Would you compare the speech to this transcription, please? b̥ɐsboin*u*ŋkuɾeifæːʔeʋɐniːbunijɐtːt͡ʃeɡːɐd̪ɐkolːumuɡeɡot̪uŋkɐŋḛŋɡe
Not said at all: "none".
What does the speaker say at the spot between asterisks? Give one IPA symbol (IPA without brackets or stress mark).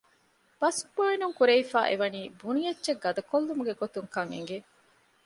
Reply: u